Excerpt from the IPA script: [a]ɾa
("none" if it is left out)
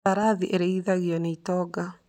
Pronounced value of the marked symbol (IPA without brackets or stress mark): a